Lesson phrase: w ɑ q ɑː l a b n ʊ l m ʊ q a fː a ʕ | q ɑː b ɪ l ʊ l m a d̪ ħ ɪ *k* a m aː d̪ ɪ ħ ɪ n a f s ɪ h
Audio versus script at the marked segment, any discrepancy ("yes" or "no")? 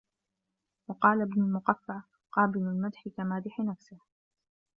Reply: no